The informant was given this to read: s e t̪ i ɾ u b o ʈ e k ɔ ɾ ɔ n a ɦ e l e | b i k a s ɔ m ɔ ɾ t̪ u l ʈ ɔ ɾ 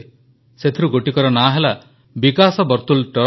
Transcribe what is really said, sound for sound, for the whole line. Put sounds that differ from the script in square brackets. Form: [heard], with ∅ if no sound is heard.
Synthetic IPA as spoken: s e [t̪ʰ] i ɾ u [ɡ] o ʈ [i] k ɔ ɾ ɔ n a ɦ e l [a] | b i k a s ɔ [b] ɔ ɾ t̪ u l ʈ ɔ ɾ